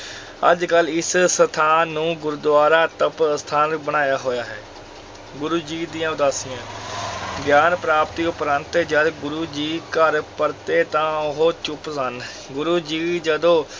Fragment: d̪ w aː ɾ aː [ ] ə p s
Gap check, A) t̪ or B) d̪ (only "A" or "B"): A